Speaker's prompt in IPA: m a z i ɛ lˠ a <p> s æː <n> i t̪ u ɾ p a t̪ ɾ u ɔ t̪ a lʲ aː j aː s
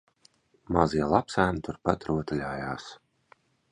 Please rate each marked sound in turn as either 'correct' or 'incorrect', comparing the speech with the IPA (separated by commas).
correct, correct